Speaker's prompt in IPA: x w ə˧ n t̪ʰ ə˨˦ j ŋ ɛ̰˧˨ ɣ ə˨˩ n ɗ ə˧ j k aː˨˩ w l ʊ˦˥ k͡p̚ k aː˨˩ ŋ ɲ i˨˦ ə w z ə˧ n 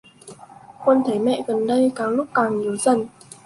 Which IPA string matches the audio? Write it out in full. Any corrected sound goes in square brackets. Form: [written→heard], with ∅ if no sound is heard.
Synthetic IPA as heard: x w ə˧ n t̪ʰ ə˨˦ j [ŋ→m] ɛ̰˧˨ ɣ ə˨˩ n ɗ ə˧ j k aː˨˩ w l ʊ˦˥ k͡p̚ k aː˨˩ ŋ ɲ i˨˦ ə w z [ə˧→ə˨˩] n